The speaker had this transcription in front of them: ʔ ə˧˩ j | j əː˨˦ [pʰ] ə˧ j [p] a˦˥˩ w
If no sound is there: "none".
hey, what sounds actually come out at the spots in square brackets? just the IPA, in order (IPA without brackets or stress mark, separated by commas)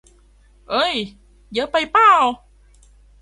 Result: p, p